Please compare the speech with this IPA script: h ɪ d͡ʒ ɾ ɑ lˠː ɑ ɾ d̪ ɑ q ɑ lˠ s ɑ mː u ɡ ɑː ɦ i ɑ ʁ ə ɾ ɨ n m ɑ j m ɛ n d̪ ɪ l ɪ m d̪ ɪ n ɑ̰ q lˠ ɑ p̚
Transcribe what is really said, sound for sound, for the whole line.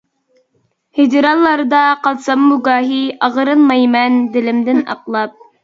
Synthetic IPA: h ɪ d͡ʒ ɾ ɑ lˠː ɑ ɾ d̪ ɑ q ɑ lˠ s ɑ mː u ɡ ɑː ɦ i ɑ ʁ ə ɾ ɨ n m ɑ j m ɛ n d̪ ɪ l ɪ m d̪ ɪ n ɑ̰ q lˠ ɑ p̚